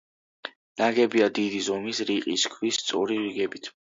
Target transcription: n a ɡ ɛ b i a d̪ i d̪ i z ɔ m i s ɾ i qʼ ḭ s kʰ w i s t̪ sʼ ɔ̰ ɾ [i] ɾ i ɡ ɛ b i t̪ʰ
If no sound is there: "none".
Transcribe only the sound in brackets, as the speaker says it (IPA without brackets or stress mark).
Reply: i